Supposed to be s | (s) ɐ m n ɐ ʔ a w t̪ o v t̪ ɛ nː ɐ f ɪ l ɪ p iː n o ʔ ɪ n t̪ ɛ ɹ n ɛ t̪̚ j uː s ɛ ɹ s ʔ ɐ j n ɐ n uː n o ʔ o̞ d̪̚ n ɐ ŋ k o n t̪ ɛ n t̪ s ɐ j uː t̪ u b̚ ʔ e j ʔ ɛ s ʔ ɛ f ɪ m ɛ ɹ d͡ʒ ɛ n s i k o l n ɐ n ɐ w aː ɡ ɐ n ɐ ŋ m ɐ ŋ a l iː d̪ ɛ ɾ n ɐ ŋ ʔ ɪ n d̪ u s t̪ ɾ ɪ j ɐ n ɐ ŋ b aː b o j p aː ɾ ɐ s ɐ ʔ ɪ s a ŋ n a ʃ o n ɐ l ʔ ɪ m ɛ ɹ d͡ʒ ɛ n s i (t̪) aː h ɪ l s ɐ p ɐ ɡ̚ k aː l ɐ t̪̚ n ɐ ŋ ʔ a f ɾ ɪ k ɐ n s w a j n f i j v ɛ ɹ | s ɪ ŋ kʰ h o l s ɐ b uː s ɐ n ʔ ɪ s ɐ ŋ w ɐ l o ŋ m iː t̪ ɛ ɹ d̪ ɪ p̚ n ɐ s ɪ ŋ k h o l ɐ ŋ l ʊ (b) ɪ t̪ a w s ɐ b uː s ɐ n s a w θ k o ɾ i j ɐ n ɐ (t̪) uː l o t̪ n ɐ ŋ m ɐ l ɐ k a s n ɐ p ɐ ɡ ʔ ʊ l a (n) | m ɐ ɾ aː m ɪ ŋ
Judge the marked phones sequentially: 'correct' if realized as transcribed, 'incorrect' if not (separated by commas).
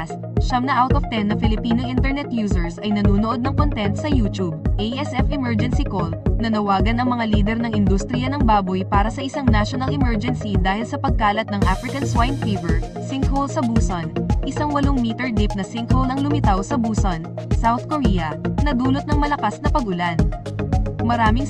incorrect, incorrect, incorrect, incorrect, correct